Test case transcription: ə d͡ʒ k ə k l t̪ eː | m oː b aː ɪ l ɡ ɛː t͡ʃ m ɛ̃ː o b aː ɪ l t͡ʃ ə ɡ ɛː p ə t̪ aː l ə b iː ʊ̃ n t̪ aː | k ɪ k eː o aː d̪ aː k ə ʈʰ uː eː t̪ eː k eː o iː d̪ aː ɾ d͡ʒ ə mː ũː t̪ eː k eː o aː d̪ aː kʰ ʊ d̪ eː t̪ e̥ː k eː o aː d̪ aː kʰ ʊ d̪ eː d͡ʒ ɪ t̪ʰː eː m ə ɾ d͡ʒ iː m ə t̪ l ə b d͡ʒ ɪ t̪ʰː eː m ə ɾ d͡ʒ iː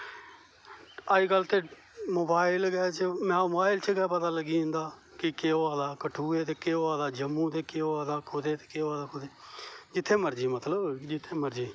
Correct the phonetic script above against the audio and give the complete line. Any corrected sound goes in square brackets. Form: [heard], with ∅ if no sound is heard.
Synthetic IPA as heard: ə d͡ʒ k ə [∅] l t̪ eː | m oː b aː ɪ l ɡ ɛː t͡ʃ m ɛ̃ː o b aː ɪ l t͡ʃ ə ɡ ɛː p ə t̪ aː l ə [ɡ] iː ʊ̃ n [d̪] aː | k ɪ k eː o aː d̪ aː k ə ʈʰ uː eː t̪ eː k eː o [aː] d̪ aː [∅] d͡ʒ ə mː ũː t̪ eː k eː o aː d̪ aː kʰ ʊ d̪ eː t̪ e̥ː k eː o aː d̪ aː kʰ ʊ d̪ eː d͡ʒ ɪ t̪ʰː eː m ə ɾ d͡ʒ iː m ə t̪ l ə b d͡ʒ ɪ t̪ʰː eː m ə ɾ d͡ʒ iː